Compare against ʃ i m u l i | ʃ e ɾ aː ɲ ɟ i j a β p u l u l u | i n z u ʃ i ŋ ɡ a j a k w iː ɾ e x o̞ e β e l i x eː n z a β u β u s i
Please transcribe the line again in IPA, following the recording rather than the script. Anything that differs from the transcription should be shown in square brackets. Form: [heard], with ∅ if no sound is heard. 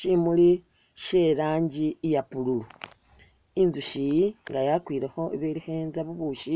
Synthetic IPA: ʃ i m u l i | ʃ e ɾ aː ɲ ɟ i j a [∅] p u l u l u | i n z u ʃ i ŋ ɡ a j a k w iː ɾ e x o̞ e β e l i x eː n z a β u β u [ʃ] i